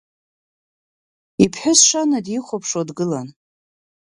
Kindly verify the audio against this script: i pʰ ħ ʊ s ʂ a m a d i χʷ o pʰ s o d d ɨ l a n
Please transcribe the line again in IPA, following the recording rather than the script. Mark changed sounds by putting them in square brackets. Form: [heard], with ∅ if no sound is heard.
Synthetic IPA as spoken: i pʰ ħ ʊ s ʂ a [n] a d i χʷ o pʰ [ʂ] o d [ɡ] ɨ l a n